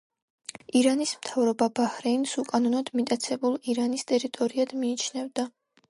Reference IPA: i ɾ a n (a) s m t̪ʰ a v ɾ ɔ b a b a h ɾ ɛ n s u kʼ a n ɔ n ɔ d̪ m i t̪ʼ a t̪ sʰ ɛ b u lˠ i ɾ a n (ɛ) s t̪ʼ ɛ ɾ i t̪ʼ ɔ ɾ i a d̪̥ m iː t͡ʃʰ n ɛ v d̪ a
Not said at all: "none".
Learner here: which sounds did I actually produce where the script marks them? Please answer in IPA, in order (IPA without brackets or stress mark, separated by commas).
i, i